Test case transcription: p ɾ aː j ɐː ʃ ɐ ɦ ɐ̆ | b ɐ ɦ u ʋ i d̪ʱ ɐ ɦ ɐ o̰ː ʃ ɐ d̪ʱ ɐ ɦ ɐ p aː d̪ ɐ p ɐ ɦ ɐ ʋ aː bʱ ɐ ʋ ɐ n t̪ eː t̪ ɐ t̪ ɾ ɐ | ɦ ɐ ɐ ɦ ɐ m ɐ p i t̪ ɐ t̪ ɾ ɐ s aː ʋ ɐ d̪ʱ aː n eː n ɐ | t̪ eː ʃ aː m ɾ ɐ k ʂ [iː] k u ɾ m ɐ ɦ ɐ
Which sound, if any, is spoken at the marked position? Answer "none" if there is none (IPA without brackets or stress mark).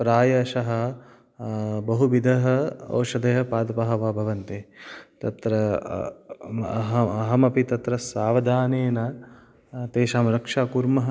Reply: aː